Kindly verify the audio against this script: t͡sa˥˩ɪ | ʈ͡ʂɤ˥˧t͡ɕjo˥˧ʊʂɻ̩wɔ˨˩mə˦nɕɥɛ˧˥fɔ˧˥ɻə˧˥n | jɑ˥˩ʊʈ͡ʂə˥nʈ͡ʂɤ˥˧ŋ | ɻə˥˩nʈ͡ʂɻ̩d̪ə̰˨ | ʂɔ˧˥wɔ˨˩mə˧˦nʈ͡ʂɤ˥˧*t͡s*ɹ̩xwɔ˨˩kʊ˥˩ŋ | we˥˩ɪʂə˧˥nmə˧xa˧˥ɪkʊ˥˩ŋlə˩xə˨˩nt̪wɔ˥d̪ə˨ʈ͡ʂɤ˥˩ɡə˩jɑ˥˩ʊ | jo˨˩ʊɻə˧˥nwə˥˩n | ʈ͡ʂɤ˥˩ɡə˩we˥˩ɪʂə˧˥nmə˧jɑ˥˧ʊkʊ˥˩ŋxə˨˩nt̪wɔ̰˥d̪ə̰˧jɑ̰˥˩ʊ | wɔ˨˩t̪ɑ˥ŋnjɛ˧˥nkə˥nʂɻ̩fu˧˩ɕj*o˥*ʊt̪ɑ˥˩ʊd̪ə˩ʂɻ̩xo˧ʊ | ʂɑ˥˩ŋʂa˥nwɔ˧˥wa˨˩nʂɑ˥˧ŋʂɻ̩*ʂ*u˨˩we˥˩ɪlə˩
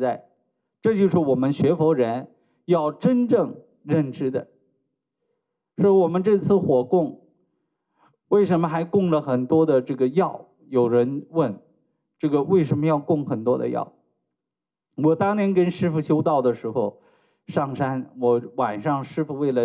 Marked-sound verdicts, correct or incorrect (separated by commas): incorrect, correct, incorrect